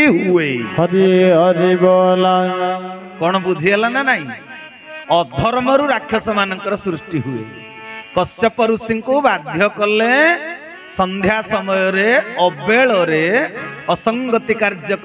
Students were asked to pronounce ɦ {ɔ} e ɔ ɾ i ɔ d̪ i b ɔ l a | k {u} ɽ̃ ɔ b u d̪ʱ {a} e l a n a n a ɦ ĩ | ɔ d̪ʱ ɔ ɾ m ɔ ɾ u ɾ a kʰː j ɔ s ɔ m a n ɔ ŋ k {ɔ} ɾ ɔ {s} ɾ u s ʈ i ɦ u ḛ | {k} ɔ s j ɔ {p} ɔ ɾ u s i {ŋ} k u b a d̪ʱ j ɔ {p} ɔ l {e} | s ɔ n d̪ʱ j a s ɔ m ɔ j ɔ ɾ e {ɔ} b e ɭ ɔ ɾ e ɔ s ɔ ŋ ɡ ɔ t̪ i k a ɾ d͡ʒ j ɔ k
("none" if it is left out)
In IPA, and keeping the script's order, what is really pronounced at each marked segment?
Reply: u, ɔ, i, ɔ, s, k, p, ŋ, k, e, ɔ

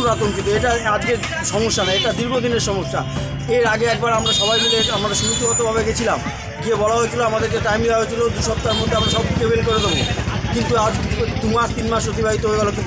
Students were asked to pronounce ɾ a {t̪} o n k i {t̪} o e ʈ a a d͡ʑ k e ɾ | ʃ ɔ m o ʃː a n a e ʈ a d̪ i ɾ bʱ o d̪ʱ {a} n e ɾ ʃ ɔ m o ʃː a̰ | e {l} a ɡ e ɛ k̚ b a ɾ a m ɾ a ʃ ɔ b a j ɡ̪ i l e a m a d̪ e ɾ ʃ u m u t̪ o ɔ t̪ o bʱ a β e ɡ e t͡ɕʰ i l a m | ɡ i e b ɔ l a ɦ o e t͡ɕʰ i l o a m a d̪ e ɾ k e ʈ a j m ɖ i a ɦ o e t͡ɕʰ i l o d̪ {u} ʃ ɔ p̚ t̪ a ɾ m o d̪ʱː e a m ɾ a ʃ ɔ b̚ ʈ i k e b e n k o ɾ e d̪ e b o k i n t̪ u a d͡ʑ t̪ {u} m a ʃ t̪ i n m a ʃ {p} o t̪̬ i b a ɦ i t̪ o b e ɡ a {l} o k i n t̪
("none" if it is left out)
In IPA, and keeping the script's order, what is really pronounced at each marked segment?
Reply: t̪, t̪, i, ɾ, u, u, p, l

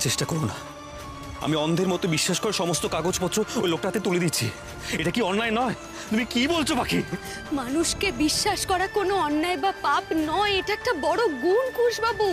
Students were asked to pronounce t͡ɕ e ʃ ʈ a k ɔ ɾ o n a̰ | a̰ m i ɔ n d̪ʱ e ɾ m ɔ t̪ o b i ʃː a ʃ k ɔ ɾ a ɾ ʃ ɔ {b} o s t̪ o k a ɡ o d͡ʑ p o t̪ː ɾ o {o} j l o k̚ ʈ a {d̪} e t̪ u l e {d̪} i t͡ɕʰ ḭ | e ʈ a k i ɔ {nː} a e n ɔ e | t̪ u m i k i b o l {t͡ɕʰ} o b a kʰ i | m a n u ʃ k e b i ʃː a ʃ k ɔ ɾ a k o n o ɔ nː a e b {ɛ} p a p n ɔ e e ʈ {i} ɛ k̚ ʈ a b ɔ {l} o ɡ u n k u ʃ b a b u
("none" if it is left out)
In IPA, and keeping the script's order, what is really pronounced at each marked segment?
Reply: m, o, t̪, d̪, nː, t͡ɕʰ, a, a, ɽ

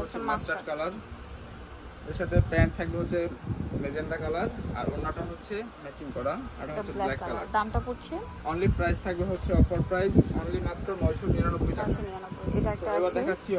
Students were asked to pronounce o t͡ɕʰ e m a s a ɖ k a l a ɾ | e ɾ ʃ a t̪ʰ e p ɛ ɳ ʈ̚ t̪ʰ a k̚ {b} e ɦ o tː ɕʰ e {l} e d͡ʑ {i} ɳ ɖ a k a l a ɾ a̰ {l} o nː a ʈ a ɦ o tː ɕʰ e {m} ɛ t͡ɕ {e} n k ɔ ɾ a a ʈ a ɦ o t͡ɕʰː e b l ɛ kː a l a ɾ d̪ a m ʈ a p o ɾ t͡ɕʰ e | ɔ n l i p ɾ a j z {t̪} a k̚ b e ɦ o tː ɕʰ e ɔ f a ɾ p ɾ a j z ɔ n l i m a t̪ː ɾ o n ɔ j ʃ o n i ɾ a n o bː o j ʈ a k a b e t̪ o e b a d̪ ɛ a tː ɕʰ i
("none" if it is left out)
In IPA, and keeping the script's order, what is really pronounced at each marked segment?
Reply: b, l, e, ɾ, m, i, t̪ʰ

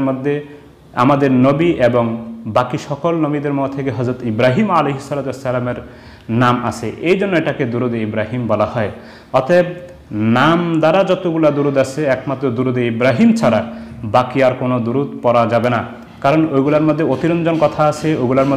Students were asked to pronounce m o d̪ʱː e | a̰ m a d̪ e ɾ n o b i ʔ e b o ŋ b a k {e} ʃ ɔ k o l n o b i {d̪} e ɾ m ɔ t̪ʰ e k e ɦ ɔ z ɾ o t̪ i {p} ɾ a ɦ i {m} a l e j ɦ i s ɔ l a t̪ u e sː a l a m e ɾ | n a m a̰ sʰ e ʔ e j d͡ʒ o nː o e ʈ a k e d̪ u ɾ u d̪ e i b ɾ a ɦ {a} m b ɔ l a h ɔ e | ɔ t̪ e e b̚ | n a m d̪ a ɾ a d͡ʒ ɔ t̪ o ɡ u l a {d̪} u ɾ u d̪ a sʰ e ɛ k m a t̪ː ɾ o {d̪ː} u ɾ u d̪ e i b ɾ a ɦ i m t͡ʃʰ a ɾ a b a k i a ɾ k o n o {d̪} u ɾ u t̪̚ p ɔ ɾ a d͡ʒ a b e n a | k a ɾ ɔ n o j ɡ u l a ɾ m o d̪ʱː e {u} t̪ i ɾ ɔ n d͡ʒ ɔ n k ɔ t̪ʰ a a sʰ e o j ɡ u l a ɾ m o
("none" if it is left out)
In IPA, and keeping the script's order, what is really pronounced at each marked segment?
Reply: i, d̪, b, m, i, d̪, d̪, d̪, o

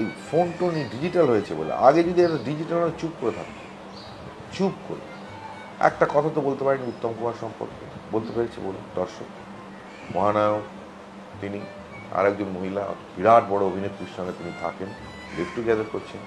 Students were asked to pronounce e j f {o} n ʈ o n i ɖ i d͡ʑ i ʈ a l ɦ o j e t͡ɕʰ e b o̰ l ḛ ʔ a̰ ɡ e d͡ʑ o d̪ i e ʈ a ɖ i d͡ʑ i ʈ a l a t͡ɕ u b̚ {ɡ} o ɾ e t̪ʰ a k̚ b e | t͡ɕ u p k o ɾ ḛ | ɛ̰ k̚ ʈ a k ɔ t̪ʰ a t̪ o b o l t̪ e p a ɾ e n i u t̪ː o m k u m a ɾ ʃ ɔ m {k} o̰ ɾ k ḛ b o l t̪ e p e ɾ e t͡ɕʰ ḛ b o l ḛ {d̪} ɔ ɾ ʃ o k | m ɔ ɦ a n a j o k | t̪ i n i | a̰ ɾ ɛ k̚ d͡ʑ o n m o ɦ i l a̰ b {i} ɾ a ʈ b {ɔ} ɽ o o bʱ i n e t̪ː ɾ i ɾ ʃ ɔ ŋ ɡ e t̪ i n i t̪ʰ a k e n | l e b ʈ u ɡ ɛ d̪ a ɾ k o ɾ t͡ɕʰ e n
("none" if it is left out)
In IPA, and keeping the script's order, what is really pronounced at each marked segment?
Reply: o, k, p, d̪, i, ɔ

